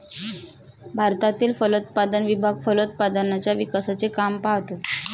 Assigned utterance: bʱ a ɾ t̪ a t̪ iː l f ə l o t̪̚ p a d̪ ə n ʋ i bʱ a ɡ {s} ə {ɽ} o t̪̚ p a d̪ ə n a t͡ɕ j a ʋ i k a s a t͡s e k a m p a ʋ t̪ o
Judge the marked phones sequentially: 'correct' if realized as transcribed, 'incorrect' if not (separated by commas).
incorrect, incorrect